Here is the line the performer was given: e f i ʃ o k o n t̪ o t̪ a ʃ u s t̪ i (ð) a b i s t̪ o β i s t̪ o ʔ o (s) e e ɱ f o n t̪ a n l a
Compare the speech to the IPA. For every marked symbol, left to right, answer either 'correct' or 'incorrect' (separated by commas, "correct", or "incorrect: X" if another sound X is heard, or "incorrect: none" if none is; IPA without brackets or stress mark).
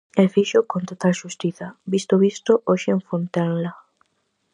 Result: incorrect: θ, incorrect: ʃ